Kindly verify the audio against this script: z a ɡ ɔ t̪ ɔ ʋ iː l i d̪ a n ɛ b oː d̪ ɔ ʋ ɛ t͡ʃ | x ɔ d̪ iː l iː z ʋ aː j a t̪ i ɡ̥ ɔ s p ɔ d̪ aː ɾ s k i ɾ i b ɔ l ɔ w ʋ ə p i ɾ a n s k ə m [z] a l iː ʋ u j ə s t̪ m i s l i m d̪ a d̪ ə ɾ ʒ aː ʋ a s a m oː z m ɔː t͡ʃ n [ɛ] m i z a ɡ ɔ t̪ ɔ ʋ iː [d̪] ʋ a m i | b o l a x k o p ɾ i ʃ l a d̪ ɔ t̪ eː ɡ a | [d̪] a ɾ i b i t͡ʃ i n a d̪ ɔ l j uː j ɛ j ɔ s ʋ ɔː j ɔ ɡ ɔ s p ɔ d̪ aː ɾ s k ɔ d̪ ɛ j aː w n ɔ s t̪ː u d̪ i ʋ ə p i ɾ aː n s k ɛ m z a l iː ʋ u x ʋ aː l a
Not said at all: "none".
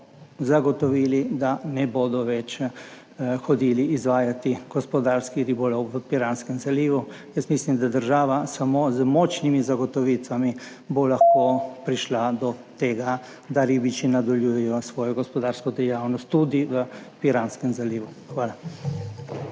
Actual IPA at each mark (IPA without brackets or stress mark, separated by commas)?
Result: z, i, t̪, d̪